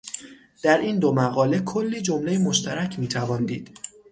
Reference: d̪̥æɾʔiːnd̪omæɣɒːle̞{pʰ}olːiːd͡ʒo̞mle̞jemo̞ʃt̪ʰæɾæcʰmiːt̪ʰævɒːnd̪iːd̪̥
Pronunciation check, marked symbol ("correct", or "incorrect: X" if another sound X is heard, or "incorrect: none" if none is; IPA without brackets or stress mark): incorrect: kʰ